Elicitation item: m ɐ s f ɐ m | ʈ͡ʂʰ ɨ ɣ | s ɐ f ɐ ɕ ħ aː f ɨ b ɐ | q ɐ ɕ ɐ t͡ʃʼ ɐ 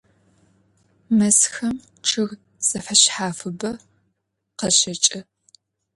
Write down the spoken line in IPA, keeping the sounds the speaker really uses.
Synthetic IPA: m ɐ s x ɐ m | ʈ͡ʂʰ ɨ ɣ | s ɐ f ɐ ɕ ħ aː f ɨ b ɐ | q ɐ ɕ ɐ t͡ʃʼ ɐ

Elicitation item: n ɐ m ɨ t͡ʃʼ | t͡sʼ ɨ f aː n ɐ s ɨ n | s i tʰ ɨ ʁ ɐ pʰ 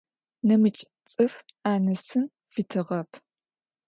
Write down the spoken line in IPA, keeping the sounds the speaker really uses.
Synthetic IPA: n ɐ m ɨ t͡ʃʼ | t͡sʼ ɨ f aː n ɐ s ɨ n | f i tʰ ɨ ʁ ɐ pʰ

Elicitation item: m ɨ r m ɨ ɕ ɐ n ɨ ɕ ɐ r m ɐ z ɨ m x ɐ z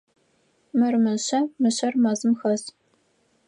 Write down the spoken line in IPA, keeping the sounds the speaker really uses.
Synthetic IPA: m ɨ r m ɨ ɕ ɐ m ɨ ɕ ɐ r m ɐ z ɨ m x ɐ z

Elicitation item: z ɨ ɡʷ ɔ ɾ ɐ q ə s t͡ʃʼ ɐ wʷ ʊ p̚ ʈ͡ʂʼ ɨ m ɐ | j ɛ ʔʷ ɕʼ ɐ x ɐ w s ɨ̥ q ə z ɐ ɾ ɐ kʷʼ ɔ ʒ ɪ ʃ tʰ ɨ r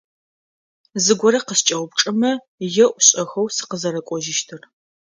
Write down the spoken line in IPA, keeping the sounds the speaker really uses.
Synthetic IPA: z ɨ ɡʷ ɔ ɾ ɐ q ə s t͡ʃʼ ɐ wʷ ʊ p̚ ʈ͡ʂʼ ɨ m ɐ | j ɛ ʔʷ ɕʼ ɐ x ɐ w s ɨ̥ q ə z ɐ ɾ ɐ kʷʼ ɔ ʒ ɪ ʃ tʰ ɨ r

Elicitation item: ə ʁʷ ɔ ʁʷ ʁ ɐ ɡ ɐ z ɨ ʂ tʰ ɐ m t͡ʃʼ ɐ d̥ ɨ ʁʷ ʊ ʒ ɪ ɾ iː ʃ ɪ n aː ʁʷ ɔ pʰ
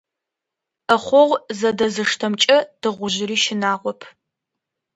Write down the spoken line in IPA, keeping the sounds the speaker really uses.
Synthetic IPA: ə χʷ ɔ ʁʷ z ɐ d ɐ z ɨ ʂ tʰ ɐ m t͡ʃʼ ɐ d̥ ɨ ʁʷ ʊ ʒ ɪ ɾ iː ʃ ɪ n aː ʁʷ ɔ pʰ

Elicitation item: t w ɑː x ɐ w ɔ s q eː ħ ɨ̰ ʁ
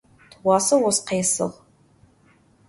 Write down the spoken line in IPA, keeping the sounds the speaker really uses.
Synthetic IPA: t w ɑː s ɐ w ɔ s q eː s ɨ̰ ʁ

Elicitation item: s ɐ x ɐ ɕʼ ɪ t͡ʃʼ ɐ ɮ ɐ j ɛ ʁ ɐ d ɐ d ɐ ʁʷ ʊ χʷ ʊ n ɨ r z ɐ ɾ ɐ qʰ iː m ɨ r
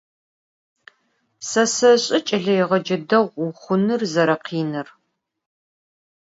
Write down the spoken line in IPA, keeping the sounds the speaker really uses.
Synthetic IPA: s ɐ s ɐ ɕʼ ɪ t͡ʃʼ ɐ ɮ ɐ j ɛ ʁ ɐ d͡ʒ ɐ d ɐ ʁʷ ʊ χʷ ʊ n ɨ r z ɐ ɾ ɐ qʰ iː n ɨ r

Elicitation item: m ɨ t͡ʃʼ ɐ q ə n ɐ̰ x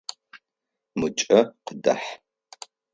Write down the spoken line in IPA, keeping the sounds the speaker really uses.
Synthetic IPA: m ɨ t͡ʃʼ ɐ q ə d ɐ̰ ħ

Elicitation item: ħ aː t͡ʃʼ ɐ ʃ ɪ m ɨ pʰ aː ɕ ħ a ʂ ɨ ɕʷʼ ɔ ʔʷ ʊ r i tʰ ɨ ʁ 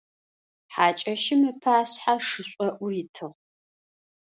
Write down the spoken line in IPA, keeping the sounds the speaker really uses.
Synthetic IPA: ħ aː t͡ʃʼ ɐ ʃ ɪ m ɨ pʰ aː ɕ ħ a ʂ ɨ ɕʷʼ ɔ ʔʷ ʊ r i tʰ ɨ ʁ

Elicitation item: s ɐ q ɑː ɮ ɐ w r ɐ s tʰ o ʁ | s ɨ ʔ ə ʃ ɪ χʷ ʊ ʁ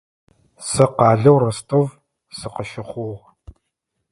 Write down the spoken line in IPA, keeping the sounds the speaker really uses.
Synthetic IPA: s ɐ q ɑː ɮ ɐ w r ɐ s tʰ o v | s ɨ q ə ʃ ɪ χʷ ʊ ʁ

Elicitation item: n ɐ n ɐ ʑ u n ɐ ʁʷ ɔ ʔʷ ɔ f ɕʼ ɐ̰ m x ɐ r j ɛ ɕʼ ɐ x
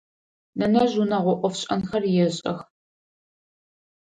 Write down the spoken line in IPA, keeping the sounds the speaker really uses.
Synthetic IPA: n ɐ n ɐ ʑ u n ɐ ʁʷ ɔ ʔʷ ɔ f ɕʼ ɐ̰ n x ɐ r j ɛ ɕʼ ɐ x

